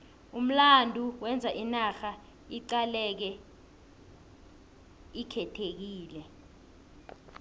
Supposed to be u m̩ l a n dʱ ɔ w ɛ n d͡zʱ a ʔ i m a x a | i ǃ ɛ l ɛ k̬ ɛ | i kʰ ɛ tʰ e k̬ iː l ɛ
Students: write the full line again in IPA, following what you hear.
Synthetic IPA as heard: u m̩ l a n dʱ u w ɛ n d͡zʱ a ʔ i n a x a | i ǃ a l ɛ k̬ ɛ | i kʰ ɛ tʰ e k̬ iː l ɛ

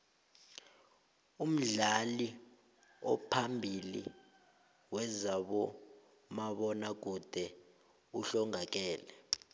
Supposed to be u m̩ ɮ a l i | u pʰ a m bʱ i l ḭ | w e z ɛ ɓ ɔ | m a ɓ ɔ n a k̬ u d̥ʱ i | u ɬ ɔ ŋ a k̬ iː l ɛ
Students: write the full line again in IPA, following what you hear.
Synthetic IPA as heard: u m̩ ɮ a l i | ɔ pʰ a m bʱ i l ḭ | w ɛ z a ɓ ɔ | m a ɓ ɔ n a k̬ u d̥ʱ ɛ | u ɬ ɔ ŋ a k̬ ɛː l ɛ

